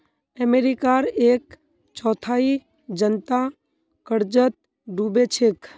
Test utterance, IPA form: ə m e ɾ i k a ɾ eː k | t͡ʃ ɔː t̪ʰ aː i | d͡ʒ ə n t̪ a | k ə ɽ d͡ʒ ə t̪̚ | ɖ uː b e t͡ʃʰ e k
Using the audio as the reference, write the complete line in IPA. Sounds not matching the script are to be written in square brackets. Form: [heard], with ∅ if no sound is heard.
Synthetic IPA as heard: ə m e ɾ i k a ɾ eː k | t͡ʃ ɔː t̪ʰ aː i | d͡ʒ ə n t̪ a | k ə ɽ d͡ʒ ə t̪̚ | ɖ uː b e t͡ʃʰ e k